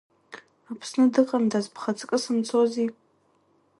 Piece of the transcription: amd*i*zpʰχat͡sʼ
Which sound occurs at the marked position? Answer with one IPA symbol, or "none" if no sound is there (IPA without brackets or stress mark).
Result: a